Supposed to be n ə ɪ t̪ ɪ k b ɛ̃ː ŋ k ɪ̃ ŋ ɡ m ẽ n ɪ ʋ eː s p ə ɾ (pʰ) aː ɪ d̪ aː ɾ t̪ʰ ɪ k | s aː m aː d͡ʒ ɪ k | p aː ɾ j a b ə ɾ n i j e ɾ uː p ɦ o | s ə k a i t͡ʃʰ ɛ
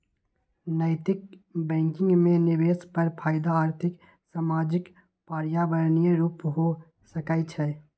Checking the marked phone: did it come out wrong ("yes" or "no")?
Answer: no